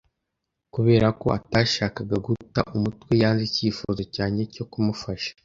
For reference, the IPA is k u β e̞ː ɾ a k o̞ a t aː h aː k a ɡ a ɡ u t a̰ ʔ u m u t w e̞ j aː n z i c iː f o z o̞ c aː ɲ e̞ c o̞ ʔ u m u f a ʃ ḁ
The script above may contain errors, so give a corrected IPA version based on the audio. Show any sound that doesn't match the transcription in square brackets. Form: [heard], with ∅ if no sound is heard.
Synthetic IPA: k u β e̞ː ɾ a k o̞ a t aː [ʃ] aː k a ɡ a ɡ u t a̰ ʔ u m u t w e̞ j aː n z i c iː f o z o̞ c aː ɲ e̞ c o̞ [k] u m u f a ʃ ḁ